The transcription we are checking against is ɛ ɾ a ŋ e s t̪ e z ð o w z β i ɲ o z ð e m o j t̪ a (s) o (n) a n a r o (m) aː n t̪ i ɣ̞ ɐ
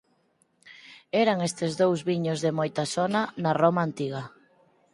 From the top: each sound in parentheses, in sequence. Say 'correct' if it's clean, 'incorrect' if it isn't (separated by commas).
correct, correct, correct